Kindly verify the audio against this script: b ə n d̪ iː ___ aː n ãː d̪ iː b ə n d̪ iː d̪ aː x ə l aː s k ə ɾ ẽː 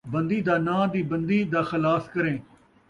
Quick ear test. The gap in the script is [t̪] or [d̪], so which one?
d̪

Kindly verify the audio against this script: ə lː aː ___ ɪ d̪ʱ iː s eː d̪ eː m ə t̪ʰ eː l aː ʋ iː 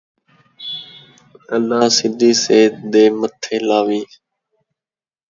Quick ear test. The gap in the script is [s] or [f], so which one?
s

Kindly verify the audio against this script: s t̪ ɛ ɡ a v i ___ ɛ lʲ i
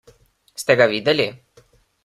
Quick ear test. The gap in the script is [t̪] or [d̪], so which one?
d̪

